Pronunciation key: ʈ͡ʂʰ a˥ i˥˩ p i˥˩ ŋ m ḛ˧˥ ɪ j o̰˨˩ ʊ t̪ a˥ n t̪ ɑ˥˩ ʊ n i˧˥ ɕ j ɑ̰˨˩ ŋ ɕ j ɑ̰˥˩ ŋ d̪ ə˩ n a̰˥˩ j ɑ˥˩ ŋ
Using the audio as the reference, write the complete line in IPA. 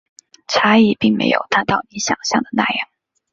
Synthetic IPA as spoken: ʈ͡ʂʰ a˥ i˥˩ p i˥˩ ŋ m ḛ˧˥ ɪ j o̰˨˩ ʊ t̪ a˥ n t̪ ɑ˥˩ ʊ n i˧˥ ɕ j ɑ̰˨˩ ŋ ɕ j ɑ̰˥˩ ŋ d̪ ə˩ n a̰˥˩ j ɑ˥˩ ŋ